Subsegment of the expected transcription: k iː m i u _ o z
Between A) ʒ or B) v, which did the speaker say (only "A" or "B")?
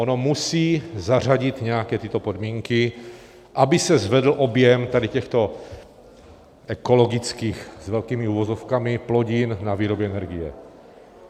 B